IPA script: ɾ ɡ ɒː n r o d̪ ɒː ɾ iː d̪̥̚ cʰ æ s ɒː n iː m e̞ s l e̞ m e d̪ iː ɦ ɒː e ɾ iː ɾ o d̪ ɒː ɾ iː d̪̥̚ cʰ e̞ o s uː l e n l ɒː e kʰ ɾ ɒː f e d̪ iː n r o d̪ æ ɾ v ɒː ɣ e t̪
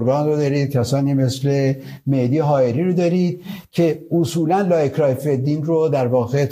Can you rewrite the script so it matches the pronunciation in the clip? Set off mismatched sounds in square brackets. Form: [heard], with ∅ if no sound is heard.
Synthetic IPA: ɾ ɡ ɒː n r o d̪ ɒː ɾ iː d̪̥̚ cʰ æ s ɒː n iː m e̞ s l e̞ m e d̪ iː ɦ ɒː e ɾ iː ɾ o d̪ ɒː ɾ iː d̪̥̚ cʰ e̞ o s uː l [æ] n l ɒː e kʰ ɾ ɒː f e d̪ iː n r o d̪ æ ɾ v ɒː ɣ e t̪